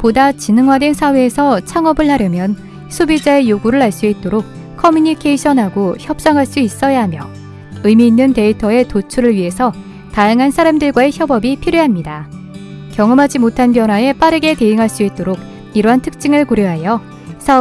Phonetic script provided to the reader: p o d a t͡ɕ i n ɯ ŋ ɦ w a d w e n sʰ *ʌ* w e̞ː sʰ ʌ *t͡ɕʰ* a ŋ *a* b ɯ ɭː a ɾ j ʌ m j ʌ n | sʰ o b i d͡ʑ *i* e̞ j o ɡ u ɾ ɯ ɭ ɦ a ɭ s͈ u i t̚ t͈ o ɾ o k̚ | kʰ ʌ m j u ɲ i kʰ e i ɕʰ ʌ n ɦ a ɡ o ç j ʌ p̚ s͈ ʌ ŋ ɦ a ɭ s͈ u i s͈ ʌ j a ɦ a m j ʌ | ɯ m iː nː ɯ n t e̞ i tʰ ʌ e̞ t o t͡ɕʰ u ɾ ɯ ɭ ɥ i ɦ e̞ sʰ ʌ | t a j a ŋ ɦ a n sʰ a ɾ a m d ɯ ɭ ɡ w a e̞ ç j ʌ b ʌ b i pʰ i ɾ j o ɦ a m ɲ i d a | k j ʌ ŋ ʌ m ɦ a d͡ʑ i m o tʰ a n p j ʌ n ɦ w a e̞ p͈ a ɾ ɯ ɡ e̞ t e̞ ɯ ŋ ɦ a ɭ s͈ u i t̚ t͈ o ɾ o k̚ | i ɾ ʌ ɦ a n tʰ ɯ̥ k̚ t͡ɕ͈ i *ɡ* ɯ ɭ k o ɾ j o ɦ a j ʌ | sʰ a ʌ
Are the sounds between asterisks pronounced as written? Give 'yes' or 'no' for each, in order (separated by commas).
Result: no, yes, no, no, no